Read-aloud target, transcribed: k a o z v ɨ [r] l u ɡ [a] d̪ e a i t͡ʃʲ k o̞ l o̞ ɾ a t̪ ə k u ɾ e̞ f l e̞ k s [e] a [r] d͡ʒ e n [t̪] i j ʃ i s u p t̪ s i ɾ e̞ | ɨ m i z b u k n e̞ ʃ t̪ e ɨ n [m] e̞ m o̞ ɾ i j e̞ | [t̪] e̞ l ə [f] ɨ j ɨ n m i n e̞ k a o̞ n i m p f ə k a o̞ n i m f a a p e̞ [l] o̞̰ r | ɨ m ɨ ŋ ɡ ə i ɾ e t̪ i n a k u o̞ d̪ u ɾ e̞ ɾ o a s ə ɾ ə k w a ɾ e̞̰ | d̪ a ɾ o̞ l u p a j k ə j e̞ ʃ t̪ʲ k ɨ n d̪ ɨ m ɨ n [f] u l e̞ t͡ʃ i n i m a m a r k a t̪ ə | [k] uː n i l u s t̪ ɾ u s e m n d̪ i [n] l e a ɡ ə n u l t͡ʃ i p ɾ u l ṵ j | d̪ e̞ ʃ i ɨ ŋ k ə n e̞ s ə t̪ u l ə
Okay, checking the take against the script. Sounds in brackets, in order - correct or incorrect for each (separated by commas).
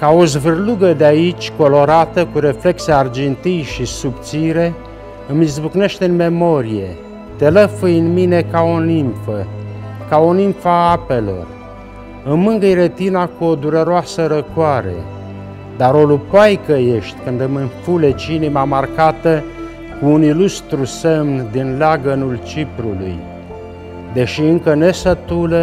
correct, incorrect, correct, correct, correct, correct, correct, correct, correct, correct, correct, correct